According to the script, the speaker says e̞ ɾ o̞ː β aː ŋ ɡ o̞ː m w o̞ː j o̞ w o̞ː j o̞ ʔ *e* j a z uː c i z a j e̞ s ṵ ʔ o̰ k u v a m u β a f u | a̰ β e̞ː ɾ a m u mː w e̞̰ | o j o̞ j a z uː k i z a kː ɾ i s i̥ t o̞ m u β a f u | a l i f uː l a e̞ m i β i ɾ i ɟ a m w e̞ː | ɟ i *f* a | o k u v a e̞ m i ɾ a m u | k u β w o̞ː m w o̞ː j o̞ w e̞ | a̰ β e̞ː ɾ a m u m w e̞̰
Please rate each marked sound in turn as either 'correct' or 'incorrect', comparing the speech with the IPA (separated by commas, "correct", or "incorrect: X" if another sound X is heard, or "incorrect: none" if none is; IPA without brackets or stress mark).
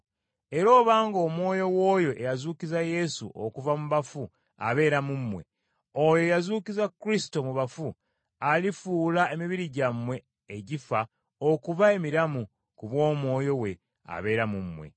correct, correct